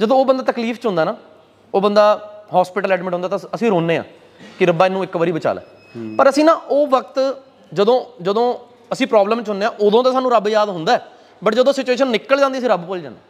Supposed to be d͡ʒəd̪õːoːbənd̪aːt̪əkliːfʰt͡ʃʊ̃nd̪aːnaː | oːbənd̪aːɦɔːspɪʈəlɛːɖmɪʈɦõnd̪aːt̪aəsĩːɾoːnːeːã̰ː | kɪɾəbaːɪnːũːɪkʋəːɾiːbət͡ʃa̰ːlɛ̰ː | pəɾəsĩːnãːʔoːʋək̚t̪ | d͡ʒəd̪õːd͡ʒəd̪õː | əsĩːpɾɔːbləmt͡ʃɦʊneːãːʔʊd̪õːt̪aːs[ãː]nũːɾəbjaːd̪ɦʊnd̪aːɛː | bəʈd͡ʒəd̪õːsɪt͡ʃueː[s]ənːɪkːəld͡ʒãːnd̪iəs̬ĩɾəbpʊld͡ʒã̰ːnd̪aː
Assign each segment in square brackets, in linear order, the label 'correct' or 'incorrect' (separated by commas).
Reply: incorrect, incorrect